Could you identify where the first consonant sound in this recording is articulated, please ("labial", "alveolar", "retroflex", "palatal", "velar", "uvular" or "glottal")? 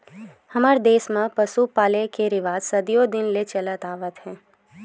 glottal